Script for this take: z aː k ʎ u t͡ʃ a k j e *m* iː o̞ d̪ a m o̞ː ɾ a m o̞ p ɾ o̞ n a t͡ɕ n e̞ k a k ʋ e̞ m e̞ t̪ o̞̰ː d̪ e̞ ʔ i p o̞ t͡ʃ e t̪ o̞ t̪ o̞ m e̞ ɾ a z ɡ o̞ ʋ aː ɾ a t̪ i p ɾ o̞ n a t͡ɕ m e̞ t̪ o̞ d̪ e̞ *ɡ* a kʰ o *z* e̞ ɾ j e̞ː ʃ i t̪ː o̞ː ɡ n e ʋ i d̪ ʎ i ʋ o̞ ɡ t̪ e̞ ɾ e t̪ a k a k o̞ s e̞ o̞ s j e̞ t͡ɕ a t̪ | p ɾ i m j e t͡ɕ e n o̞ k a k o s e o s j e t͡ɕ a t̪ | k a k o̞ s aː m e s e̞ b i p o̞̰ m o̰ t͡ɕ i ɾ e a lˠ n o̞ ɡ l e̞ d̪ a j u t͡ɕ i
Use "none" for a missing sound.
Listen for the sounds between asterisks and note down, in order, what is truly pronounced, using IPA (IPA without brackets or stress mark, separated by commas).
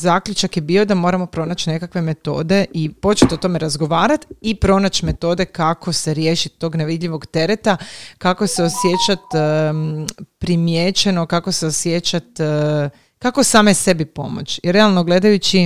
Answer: b, k, s